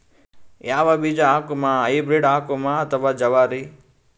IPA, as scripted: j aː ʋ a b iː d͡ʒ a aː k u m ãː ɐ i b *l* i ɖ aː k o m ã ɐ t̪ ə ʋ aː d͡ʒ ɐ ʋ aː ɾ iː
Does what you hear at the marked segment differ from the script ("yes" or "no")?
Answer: yes